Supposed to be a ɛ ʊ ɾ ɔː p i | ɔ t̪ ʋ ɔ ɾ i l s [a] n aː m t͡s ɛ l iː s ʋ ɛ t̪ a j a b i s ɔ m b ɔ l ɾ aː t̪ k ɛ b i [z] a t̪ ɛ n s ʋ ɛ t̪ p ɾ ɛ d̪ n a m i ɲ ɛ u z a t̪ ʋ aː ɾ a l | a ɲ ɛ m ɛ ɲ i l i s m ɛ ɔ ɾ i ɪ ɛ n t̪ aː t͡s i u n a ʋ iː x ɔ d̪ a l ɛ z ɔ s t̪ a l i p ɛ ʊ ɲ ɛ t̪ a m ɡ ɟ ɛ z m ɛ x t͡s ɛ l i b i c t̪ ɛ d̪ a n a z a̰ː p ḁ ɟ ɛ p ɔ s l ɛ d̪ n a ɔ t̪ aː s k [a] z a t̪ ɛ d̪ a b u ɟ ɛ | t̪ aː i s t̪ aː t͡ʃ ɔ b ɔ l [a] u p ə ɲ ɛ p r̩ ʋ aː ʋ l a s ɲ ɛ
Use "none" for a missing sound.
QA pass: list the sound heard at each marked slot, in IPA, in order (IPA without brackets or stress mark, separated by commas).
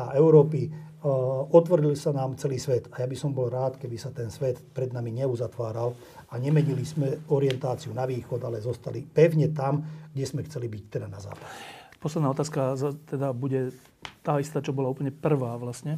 a, s, a, a